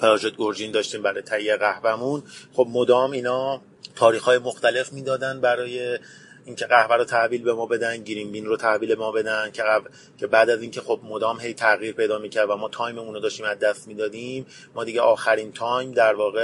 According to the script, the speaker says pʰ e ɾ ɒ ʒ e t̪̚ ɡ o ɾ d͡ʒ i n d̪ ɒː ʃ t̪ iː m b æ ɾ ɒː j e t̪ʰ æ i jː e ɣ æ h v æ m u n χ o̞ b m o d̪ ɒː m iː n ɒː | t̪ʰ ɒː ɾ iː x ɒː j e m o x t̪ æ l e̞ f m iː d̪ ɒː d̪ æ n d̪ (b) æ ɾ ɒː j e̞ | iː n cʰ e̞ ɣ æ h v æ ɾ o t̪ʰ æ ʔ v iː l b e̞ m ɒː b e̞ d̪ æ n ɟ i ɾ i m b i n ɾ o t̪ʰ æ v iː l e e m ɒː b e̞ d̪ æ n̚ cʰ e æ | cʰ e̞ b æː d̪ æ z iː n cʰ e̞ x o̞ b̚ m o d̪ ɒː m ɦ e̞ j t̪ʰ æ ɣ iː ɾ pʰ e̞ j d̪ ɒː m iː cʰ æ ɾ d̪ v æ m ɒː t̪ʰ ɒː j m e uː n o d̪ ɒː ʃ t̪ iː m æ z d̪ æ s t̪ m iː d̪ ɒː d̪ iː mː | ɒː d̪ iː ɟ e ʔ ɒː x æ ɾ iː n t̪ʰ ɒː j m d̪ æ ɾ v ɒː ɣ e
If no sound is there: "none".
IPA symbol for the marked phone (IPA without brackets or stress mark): b